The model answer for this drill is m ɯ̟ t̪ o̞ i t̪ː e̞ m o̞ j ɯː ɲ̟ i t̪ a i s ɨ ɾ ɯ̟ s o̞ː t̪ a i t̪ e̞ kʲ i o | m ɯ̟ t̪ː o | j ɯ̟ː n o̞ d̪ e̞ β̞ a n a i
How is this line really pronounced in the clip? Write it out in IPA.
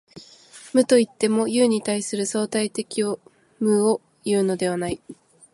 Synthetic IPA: m ɯ̟ t̪ o̞ i t̪ː e̞ m o̞ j ɯː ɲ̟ i t̪ a i s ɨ ɾ ɯ̟ s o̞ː t̪ a i t̪ e̞ kʲ i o | m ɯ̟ o | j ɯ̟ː n o̞ d̪ e̞ β̞ a n a i

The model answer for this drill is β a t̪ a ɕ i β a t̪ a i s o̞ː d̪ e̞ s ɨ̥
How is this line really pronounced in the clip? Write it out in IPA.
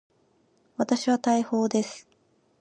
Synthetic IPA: β a t̪ a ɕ i β a t̪ a i h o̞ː d̪ e̞ s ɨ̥

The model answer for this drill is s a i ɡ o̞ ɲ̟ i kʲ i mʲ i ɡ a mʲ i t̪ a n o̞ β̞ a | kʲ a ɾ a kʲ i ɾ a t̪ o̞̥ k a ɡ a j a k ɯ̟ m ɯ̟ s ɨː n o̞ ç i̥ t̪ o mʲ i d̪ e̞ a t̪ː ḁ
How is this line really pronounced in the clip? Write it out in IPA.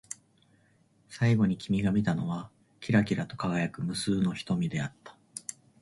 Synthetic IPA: s a i ɡ o̞ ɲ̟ i kʲ i mʲ i ɡ a mʲ i t̪ a n o̞ β̞ a | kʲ i ɾ a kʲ i ɾ a t̪ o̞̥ k a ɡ a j a k ɯ̟ m ɯ̟ s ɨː n o̞ ç i̥ t̪ o mʲ i d̪ e̞ a t̪ː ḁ

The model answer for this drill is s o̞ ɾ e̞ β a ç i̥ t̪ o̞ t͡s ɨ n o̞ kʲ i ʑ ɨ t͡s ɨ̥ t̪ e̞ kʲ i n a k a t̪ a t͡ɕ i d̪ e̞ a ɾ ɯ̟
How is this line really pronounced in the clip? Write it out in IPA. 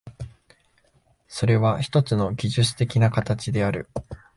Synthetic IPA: s o̞ ɾ e̞ β a ç i̥ t̪ o̞ t͡s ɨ n o̞ ɡʲ i ʑ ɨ t͡s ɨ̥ t̪ e̞ kʲ i n a k a t̪ a t͡ɕ i d̪ e̞ a ɾ ɯ̟

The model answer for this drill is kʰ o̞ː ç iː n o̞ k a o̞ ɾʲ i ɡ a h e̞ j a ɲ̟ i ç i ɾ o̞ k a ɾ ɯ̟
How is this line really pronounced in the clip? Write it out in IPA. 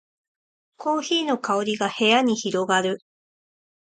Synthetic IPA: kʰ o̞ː ç iː n o̞ k a o̞ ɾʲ i ɡ a h e̞ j a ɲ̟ i ç i ɾ o̞ ɡ a ɾ ɯ̟

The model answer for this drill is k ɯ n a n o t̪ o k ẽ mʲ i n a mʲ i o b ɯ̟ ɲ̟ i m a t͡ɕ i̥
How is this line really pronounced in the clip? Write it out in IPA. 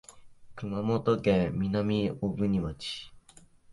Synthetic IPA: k ɯ m a m o t̪ o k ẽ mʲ i n a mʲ i o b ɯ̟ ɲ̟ i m a t͡ɕ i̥

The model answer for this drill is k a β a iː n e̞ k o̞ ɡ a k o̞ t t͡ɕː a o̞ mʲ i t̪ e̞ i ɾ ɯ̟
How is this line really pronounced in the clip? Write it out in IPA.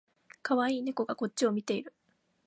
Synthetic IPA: k a β a iː n e̞ k o̞ ɡ a k o̞ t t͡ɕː i o̞ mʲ i t̪ e̞ i ɾ ɯ̟

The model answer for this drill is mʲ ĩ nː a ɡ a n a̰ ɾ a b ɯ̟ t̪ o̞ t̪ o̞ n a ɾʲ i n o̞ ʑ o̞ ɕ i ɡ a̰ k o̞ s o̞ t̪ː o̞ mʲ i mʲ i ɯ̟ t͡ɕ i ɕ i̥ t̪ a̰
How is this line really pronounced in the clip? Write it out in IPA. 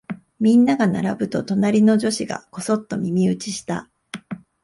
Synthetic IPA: mʲ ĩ nː a ɡ a n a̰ ɾ a b ɯ̟ t̪ o̞ t̪ o̞ n a ɾʲ i n o̞ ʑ o̞ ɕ i ɡ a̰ k o̞ s o̞ t̪ː o̞ mʲ i mʲ i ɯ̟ t͡ɕ i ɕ i̥ t̪ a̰

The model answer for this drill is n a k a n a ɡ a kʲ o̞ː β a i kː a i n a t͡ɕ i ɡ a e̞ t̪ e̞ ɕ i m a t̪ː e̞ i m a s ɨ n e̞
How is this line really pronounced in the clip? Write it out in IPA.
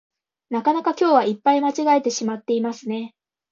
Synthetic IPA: n a k a n a k a kʲ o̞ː β a i pː a i m a t͡ɕ i ɡ a e̞ t̪ e̞ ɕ i m a t̪ː e̞ i m a s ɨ n e̞

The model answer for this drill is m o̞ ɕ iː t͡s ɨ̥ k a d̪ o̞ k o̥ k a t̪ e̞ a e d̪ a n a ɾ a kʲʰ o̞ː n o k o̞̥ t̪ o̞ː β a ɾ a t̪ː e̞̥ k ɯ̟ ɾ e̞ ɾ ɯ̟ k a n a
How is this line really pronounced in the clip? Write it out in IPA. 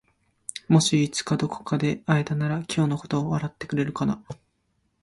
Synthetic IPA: m o̞ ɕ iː t͡s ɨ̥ k a d̪ o̞ k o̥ k a d̪ e̞ a e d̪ a n a ɾ a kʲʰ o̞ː n o k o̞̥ t̪ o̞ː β a ɾ a t̪ː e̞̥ k ɯ̟ ɾ e̞ ɾ ɯ̟ k a n a

